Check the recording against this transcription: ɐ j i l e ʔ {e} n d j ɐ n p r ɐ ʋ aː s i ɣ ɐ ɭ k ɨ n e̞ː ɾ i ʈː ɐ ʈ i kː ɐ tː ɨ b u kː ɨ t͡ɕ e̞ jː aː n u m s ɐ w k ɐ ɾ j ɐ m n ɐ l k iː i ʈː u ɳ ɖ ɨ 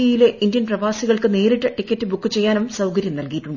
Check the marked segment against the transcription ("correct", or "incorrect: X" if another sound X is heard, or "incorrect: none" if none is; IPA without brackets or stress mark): incorrect: i